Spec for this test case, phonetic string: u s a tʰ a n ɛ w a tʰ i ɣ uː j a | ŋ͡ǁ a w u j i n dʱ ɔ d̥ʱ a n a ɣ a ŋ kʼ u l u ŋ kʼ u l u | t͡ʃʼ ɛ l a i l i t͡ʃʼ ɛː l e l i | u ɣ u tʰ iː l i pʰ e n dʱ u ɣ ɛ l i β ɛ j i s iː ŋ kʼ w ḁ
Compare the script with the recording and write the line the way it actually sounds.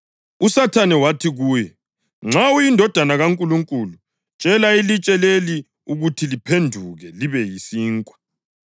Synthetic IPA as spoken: u s a tʰ a n ɛ w a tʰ i ɣ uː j ɛ | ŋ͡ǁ a w u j i n dʱ ɔ d̥ʱ a n a ɣ a ŋ kʼ u l u ŋ kʼ u l u | t͡ʃʼ ɛ l a i l i t͡ʃʼ ɛ l e l i | u ɣ u tʰ i l i pʰ e n dʱ u ɣ ɛ l i β ɛ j i s iː ŋ kʼ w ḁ